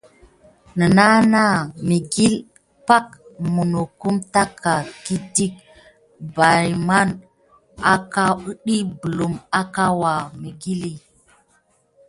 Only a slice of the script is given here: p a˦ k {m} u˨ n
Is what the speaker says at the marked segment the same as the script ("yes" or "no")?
yes